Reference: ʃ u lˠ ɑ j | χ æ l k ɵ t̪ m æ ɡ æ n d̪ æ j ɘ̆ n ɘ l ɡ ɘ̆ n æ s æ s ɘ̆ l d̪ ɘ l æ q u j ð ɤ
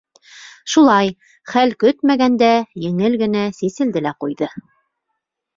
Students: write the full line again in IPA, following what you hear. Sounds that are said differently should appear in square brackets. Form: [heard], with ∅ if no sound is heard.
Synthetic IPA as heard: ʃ u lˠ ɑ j | χ æ l k ɵ t̪ m æ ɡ æ n d̪ æ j ɘ̆ [ŋ] ɘ l ɡ ɘ̆ n æ s [i] s ɘ̆ l d̪ ɘ l æ q u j ð ɤ